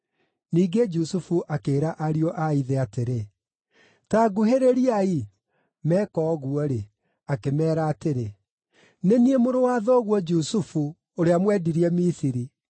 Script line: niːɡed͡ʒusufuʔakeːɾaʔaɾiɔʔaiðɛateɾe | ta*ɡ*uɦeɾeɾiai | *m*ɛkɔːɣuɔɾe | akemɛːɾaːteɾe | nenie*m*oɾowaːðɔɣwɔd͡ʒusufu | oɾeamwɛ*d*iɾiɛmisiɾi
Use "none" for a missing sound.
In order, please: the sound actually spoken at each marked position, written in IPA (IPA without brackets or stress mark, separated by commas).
ɡ, m, m, d